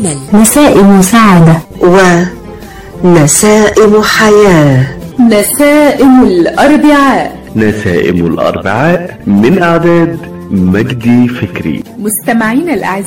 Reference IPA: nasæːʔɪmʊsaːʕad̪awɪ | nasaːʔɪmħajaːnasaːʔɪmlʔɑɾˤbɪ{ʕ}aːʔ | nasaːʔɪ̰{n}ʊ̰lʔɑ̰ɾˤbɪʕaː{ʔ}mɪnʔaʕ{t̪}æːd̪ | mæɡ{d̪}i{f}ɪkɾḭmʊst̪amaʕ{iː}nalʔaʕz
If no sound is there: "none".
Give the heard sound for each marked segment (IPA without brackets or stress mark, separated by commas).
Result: ʕ, m, ʔ, d̪, d̪, f, iː